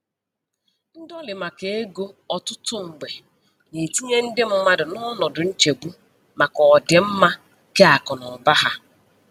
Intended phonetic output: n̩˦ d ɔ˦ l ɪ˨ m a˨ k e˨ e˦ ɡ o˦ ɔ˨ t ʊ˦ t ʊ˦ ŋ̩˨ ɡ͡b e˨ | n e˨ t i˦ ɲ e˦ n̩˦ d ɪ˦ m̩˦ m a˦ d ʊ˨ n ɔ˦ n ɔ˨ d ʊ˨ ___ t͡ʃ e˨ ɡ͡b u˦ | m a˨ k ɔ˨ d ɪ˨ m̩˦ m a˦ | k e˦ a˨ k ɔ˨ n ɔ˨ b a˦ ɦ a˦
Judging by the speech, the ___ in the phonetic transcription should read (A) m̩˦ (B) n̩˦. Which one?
B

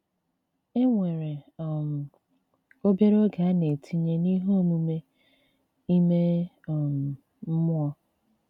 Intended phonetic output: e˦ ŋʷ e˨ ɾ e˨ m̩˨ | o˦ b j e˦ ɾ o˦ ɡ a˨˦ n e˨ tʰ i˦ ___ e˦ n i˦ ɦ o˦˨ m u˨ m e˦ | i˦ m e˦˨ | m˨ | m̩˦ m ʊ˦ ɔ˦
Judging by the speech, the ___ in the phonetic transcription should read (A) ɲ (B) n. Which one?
A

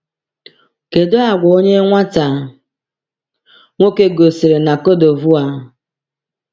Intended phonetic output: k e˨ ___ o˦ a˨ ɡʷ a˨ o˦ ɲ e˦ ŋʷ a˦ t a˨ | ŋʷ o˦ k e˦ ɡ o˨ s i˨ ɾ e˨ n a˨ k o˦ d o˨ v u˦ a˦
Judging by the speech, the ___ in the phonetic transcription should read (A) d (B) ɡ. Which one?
A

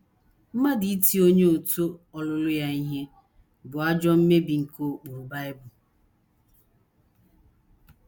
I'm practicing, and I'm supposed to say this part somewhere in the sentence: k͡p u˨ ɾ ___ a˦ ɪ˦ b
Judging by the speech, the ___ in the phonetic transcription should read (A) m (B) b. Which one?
B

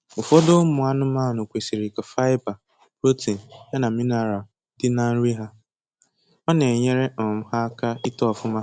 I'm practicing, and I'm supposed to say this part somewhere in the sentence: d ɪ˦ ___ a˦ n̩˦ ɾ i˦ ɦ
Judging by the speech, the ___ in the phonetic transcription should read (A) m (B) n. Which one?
B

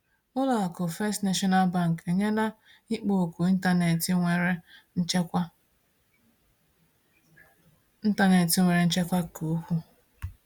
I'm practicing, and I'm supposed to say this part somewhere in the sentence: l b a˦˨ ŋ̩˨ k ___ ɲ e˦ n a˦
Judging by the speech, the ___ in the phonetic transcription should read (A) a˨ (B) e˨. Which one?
B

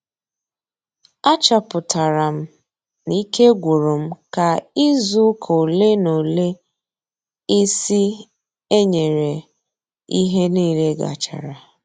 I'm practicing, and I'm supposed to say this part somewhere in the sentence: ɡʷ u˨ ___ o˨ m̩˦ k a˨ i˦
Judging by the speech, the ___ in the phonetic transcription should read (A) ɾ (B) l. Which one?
A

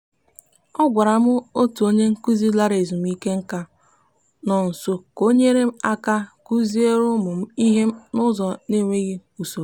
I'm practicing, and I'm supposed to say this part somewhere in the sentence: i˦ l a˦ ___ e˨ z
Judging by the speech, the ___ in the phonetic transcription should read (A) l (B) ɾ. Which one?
B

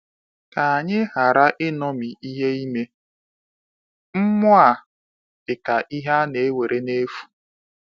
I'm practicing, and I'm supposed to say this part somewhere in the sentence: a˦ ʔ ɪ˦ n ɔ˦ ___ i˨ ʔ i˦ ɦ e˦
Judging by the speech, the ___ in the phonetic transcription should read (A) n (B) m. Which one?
B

